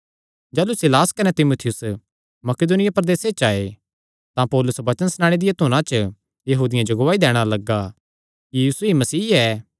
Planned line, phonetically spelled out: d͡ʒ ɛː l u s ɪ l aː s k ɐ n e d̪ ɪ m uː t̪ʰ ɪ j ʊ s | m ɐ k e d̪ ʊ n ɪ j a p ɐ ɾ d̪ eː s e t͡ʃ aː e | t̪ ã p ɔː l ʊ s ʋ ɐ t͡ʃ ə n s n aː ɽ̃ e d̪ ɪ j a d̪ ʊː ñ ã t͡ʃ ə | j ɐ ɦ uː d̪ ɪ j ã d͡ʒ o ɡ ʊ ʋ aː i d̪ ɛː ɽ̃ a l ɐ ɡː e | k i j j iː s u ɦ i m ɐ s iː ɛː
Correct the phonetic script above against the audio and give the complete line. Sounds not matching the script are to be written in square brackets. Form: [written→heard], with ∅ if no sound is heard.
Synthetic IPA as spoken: d͡ʒ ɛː l u s ɪ l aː s k ɐ n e [d̪→t̪] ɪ m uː t̪ʰ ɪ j ʊ s | m ɐ k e d̪ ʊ n ɪ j a p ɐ ɾ d̪ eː s e t͡ʃ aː e | t̪ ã p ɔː l ʊ s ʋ ɐ t͡ʃ ə n s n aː ɽ̃ e d̪ ɪ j a [d̪→t̪] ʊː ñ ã t͡ʃ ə | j ɐ ɦ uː d̪ ɪ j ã d͡ʒ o ɡ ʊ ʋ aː i d̪ ɛː ɽ̃ a l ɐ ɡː [e→a] | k i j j iː s u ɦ i m ɐ s iː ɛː